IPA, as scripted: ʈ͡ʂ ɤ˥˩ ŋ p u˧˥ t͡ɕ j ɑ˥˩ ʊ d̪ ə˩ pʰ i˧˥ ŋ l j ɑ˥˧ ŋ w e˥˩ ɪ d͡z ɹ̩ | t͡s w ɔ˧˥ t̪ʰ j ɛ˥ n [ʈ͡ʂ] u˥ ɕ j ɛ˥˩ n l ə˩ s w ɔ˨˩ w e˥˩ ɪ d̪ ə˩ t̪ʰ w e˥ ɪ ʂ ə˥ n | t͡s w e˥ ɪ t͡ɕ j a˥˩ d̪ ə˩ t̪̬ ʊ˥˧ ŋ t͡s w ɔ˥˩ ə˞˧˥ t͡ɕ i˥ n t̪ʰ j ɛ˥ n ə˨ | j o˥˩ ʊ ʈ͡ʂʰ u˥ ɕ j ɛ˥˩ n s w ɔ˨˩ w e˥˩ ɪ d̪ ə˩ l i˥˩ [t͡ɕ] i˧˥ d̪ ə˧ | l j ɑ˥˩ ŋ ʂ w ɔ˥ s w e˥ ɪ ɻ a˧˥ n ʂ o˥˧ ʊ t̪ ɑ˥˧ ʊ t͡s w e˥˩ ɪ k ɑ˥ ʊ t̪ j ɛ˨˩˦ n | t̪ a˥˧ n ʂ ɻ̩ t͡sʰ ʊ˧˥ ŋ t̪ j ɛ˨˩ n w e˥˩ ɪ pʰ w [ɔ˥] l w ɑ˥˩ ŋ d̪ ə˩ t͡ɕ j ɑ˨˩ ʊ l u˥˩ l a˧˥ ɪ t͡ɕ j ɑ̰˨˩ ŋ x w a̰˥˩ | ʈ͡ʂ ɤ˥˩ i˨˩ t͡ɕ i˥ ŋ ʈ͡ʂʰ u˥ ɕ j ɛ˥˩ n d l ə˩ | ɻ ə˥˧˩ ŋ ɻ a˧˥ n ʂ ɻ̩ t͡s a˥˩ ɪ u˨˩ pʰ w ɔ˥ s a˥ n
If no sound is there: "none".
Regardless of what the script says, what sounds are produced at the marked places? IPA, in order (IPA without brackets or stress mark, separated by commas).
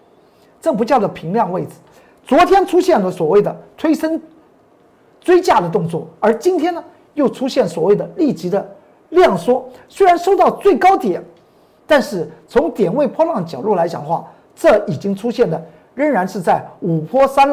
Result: ʈ͡ʂʰ, t͡ɕ, ɔ˥